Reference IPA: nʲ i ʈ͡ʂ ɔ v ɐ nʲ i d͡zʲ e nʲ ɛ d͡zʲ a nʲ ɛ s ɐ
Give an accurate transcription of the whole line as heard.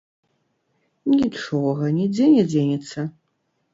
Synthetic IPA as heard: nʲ i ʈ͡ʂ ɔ ɣ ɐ nʲ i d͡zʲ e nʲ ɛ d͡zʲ e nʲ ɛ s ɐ